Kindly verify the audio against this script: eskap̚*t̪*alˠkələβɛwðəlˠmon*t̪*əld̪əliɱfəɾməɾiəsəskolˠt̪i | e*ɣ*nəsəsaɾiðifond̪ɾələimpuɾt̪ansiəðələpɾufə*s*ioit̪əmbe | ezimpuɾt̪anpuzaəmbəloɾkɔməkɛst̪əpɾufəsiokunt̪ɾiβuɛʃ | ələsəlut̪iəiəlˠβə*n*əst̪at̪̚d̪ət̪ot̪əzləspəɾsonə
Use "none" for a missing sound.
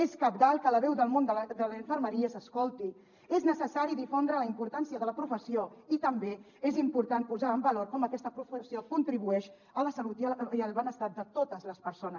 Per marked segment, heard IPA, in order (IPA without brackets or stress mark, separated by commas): d̪, d̪, z, s, n